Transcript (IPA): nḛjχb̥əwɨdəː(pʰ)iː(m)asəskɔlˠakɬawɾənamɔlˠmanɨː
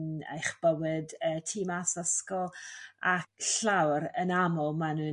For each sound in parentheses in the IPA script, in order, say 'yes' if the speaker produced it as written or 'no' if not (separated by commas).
no, yes